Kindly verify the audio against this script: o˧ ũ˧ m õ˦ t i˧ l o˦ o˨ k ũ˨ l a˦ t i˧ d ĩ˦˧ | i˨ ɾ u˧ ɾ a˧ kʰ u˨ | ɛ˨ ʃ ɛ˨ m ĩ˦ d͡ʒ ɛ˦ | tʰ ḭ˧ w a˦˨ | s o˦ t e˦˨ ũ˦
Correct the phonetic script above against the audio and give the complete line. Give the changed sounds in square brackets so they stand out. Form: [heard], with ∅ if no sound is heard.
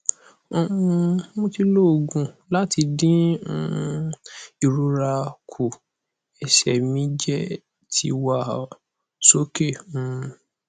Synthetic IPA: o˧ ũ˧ m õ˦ t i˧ l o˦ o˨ [ɡ] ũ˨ l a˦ t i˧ d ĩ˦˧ | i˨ ɾ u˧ ɾ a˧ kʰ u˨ | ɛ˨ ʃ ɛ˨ m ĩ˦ d͡ʒ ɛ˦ | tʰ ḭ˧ w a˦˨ | s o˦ [k] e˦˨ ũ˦